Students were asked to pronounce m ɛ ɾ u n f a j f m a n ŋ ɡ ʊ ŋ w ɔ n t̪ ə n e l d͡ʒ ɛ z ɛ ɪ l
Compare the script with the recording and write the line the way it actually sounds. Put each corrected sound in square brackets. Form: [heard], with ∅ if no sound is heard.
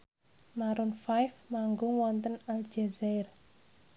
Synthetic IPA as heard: m [a] ɾ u n f a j f m a [∅] ŋ ɡ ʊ ŋ w ɔ n t̪ ə n [a] l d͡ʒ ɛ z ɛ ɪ [r]